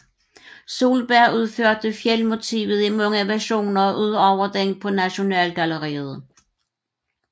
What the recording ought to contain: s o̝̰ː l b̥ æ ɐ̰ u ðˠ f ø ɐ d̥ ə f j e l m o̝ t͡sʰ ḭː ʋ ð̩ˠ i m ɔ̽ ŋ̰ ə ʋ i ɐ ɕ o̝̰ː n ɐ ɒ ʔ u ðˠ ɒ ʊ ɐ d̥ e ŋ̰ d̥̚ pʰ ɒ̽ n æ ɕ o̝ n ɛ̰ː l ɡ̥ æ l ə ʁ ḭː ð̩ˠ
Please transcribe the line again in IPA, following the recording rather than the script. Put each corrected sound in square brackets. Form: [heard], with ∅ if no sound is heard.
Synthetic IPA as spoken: s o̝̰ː l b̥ æ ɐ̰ u ðˠ f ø ɐ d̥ ə f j e l m o̝ t͡sʰ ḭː ʋ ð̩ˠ i m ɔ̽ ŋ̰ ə ʋ [æ] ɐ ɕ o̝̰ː n ɐ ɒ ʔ u ðˠ ɒ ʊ ɐ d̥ e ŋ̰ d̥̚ pʰ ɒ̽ n æ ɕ o̝ n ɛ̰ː l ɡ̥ æ l ə ʁ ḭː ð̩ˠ